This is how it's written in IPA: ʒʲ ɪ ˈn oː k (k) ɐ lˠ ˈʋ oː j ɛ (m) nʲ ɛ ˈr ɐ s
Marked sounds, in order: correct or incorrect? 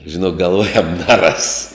incorrect: ɡ, correct

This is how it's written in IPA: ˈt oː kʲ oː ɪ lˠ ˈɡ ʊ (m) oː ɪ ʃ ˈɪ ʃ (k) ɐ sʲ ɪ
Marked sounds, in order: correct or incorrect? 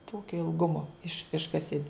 correct, correct

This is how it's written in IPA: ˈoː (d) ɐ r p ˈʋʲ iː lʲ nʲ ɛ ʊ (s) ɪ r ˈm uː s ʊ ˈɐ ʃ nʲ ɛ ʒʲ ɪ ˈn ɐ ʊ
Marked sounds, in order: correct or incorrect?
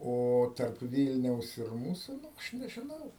incorrect: t, correct

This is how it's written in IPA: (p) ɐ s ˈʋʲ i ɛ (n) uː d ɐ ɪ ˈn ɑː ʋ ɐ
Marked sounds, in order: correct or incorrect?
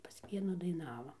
correct, correct

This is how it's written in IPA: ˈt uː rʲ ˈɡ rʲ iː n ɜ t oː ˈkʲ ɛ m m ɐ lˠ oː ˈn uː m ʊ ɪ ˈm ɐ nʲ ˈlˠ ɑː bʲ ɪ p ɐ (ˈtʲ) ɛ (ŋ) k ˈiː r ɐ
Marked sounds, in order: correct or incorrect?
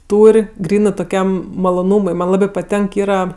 correct, correct

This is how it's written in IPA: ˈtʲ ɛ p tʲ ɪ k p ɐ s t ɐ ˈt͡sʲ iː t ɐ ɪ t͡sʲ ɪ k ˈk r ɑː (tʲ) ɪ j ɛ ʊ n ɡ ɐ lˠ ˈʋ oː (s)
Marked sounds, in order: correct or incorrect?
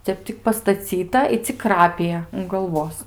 incorrect: pʲ, correct

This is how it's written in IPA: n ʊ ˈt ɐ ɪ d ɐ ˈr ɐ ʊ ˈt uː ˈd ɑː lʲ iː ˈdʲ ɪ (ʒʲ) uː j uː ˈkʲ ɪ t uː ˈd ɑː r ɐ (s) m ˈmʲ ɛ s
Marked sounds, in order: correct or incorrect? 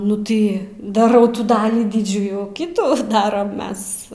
incorrect: d͡ʒʲ, incorrect: none

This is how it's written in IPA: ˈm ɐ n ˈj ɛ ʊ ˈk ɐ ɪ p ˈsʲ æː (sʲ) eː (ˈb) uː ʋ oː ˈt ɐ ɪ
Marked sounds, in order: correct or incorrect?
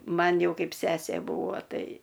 correct, correct

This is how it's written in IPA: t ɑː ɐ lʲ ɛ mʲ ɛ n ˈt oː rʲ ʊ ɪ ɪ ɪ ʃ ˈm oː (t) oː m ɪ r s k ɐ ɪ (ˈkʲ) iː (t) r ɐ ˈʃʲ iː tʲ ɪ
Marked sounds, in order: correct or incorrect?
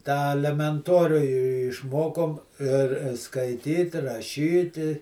incorrect: k, incorrect: tʲ, correct

